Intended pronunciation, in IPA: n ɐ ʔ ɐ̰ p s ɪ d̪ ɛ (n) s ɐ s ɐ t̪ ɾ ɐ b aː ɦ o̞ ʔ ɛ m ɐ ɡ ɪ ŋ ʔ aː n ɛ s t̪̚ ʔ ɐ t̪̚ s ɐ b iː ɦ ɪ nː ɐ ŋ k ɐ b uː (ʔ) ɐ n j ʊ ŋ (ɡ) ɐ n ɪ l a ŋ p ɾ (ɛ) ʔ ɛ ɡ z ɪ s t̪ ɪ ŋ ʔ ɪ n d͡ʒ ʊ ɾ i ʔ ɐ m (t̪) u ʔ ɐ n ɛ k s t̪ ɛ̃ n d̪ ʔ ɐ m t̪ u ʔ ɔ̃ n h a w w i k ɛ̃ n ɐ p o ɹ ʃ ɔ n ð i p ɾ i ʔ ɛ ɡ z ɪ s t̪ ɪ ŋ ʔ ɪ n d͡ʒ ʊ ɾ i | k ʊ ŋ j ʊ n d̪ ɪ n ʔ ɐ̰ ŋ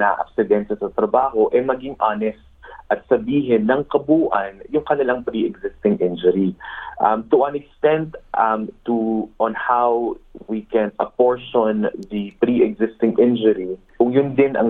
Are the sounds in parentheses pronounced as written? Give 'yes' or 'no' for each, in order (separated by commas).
yes, yes, no, no, yes